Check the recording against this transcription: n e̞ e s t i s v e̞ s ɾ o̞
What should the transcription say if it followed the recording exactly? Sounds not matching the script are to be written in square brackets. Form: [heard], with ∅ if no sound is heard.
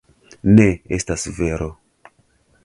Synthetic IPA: n e̞ e s t [a] s v e̞ [∅] ɾ o̞